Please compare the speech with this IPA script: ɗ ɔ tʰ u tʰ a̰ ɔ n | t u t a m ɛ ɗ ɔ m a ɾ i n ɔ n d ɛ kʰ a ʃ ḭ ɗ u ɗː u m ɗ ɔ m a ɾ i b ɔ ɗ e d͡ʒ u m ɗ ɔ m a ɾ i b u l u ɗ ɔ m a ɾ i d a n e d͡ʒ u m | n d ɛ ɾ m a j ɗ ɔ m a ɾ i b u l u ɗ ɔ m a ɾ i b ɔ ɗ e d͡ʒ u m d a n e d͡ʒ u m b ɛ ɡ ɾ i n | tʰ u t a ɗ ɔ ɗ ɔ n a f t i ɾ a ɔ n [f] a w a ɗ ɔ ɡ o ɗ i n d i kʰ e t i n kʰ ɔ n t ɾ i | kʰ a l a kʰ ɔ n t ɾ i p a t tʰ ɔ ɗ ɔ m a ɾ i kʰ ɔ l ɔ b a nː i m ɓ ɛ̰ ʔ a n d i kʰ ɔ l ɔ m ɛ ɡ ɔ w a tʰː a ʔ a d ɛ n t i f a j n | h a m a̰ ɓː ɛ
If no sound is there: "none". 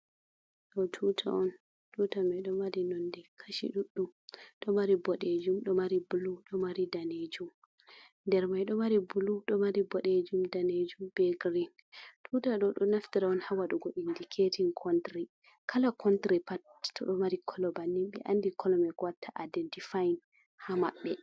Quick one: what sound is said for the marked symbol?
h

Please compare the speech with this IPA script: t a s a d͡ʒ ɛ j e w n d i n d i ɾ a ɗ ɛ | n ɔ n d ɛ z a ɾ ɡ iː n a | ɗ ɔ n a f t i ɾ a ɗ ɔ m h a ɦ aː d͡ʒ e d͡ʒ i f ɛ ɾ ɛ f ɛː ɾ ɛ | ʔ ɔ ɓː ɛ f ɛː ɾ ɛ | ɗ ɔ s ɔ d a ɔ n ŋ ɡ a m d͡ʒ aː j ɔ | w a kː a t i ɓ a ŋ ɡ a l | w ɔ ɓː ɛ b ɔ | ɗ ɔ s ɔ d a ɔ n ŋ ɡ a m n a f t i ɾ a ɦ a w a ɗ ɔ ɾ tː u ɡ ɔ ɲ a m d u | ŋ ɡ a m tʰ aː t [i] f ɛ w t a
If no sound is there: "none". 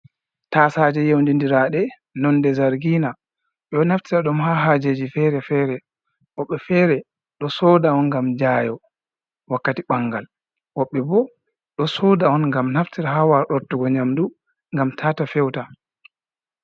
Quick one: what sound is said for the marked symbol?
a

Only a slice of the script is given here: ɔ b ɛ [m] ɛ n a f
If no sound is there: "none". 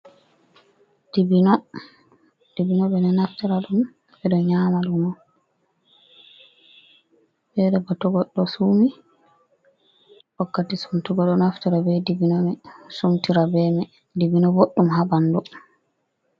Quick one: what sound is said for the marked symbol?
n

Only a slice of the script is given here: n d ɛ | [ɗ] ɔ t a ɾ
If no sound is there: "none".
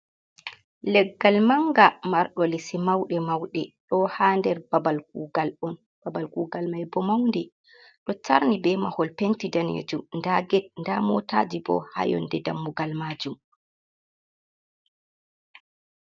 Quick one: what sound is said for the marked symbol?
ɗ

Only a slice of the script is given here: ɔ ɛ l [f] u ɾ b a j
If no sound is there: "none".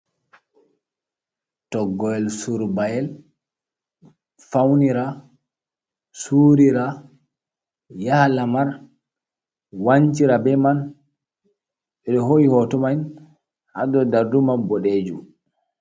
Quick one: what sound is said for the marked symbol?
s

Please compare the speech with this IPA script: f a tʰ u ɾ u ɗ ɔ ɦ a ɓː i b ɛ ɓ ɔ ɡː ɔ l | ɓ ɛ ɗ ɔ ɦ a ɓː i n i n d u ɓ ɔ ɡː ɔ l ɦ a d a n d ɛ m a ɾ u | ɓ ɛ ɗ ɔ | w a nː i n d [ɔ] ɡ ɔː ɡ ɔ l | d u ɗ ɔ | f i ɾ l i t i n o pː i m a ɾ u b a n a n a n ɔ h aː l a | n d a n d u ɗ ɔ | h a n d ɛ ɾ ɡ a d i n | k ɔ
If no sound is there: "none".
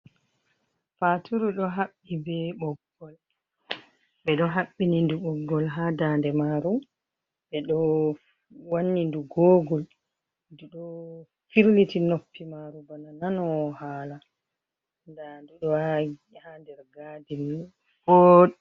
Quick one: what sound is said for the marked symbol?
u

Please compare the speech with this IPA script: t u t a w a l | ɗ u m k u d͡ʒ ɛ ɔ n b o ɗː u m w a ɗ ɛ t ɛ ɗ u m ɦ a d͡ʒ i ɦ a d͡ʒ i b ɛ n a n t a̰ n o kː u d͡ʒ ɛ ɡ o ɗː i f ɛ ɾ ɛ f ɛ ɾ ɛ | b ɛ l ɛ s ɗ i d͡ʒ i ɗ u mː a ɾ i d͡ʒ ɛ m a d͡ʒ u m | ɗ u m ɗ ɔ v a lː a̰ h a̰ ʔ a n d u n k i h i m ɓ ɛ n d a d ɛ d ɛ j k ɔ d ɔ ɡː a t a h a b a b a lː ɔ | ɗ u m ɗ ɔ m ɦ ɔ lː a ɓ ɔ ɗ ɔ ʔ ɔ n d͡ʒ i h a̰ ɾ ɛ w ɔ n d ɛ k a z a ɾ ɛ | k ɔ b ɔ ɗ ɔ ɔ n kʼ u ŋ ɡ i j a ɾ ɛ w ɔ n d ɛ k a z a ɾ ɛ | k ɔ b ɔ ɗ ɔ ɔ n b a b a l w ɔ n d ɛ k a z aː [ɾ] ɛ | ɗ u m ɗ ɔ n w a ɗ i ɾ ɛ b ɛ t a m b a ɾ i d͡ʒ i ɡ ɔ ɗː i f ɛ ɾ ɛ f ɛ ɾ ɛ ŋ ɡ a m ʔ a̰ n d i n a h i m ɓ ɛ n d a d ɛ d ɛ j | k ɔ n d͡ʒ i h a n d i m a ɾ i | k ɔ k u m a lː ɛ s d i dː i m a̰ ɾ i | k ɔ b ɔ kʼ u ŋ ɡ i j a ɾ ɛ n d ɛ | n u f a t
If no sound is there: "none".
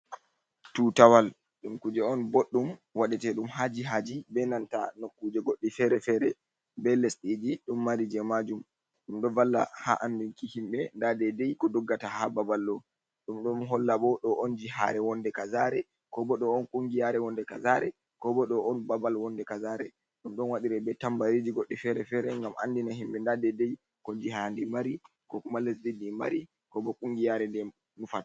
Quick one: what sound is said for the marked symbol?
ɾ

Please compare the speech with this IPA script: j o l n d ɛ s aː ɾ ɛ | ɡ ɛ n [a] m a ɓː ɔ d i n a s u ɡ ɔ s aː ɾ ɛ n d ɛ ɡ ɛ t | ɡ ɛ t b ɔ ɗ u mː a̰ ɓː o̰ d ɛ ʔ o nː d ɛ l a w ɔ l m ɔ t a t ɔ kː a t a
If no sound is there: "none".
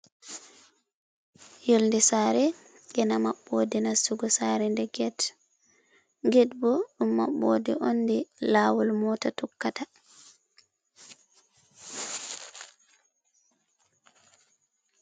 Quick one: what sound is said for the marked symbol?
a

